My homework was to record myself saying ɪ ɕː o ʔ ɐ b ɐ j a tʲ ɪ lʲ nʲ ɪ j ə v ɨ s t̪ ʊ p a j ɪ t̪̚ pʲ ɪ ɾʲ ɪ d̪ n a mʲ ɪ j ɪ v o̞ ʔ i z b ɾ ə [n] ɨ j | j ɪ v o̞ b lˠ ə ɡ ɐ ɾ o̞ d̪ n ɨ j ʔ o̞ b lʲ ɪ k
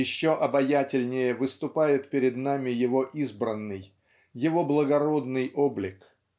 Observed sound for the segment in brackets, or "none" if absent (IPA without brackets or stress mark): nː